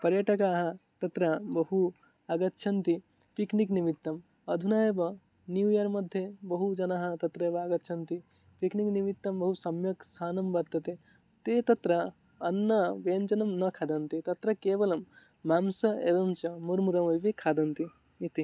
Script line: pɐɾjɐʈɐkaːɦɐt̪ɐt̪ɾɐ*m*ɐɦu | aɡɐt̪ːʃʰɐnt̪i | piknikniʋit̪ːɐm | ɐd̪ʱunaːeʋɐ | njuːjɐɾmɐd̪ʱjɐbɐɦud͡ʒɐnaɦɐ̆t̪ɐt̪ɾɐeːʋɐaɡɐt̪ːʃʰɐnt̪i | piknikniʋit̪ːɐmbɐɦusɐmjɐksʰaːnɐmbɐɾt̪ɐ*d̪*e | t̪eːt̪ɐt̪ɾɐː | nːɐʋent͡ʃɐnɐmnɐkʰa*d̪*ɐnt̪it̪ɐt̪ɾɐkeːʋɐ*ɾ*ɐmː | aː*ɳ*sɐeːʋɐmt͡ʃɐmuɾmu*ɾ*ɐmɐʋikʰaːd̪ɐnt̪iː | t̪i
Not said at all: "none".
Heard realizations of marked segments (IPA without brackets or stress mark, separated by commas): b, t̪, d̪, l, m, ɾ